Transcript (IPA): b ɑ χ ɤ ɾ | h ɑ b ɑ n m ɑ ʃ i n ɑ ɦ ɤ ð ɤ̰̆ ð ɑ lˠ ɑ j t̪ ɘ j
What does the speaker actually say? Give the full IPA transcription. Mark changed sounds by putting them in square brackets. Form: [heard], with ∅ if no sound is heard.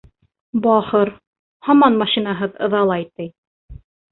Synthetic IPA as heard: b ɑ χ ɤ ɾ | h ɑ [m] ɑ n m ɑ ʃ i n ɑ ɦ ɤ ð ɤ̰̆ ð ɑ lˠ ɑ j t̪ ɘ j